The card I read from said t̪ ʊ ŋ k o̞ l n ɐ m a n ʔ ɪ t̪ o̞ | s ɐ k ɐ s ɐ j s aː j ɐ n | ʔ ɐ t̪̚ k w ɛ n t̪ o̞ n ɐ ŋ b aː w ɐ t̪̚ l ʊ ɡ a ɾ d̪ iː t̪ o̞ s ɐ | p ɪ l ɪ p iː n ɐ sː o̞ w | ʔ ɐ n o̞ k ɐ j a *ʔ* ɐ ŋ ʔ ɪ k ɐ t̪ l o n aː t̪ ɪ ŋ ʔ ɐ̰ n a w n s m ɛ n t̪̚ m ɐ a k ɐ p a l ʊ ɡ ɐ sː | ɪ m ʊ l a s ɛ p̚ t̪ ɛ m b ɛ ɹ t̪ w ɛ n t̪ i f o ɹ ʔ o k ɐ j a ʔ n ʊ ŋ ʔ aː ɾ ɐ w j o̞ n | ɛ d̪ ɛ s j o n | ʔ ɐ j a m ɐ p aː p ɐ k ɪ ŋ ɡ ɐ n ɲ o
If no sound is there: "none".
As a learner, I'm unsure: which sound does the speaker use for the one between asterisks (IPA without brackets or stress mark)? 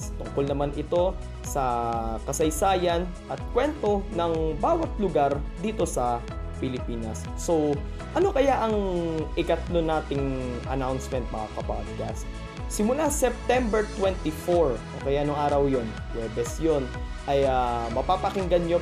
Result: ʔ